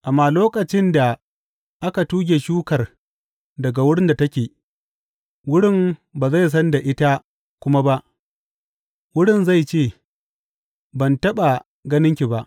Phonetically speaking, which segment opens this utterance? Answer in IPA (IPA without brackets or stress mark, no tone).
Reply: ʔ